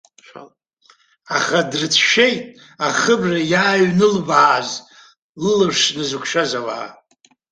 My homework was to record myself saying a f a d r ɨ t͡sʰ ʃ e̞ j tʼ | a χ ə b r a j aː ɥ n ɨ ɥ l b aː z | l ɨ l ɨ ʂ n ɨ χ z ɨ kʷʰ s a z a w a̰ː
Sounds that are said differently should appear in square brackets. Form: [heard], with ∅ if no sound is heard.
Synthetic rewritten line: a [χ] a d r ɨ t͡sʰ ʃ e̞ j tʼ | a χ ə b r a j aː ɥ n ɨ [∅] l b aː z | l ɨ l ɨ ʂ n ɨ [∅] z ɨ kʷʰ [ʃ] a z a w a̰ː